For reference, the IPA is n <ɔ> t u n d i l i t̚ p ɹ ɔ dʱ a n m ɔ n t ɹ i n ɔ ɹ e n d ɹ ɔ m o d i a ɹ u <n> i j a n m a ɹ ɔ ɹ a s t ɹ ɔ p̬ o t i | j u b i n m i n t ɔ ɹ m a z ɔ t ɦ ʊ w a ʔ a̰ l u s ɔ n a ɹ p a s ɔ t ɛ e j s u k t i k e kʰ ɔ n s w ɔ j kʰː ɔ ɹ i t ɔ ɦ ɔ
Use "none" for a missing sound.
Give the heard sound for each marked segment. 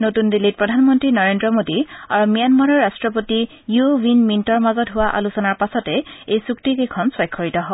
o, m

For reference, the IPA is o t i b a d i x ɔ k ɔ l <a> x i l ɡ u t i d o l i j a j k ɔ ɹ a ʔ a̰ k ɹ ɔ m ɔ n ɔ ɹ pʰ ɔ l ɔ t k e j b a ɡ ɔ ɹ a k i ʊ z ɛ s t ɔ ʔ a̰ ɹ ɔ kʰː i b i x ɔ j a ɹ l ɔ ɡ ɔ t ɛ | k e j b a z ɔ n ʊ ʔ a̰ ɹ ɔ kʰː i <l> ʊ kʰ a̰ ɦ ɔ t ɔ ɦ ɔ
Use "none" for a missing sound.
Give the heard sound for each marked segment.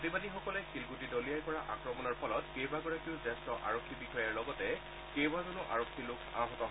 ɛ, l

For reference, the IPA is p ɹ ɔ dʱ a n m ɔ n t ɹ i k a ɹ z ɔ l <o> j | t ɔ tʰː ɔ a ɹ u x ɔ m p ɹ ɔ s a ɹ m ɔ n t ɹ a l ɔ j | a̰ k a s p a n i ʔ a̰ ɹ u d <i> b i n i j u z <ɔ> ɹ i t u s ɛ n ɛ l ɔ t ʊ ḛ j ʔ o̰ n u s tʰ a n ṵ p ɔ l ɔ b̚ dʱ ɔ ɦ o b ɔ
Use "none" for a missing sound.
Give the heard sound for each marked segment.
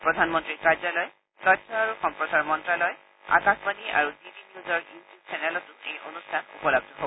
ɔ, i, ɔ

